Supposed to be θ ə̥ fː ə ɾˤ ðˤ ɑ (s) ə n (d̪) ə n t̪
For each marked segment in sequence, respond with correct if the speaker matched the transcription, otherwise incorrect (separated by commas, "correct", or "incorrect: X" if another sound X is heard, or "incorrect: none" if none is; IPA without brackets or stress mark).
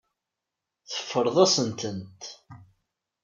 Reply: correct, incorrect: t̪